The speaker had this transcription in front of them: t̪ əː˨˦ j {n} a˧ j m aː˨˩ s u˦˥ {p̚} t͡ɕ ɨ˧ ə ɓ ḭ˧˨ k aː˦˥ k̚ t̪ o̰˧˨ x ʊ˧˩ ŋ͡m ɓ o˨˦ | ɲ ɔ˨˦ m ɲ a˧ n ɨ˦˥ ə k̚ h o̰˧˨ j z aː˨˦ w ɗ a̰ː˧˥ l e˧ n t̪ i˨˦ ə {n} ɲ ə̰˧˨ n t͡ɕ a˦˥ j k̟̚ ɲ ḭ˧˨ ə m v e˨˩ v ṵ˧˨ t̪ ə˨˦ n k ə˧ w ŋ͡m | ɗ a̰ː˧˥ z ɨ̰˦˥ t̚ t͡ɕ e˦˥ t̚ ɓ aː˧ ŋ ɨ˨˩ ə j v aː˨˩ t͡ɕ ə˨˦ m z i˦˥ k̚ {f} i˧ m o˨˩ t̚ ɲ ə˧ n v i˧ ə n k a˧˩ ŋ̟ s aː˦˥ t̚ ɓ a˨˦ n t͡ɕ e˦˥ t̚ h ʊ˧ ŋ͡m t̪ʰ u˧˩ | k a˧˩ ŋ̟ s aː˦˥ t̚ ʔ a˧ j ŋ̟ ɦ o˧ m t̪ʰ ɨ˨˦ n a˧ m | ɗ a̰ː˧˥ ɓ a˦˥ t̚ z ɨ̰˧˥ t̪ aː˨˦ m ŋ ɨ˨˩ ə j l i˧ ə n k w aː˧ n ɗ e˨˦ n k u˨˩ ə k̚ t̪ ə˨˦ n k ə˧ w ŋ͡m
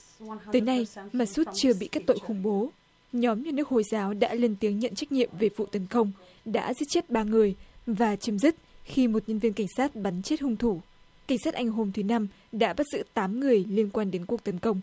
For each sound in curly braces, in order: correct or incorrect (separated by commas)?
correct, incorrect, incorrect, incorrect